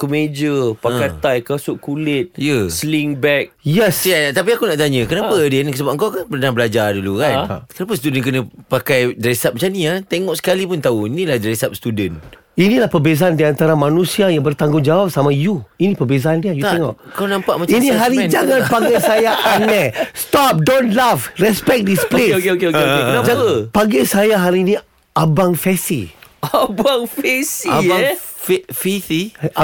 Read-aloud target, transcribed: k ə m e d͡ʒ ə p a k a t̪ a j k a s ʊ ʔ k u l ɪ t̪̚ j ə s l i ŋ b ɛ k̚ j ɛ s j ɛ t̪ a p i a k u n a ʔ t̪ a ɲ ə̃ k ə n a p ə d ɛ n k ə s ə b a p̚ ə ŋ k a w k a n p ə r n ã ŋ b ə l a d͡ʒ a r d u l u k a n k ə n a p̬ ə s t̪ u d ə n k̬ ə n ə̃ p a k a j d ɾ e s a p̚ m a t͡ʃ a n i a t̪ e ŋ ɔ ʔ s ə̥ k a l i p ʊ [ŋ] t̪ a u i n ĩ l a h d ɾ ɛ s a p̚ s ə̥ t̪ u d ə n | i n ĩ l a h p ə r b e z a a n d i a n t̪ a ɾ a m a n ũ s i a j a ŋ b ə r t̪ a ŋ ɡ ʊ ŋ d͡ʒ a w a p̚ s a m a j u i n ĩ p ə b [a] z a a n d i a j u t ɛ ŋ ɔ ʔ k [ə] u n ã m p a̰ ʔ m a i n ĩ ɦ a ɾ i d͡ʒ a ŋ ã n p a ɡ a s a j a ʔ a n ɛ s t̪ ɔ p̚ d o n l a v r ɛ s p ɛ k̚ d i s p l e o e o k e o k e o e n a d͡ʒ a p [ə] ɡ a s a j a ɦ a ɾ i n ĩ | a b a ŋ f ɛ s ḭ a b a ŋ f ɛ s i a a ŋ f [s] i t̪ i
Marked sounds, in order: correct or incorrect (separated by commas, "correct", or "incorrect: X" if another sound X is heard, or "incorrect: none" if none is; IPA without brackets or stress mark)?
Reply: incorrect: n, incorrect: e, incorrect: a, incorrect: a, incorrect: f